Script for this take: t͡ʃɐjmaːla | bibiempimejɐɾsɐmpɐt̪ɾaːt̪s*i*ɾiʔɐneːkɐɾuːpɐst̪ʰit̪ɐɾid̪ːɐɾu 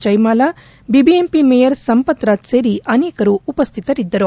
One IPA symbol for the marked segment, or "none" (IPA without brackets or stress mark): e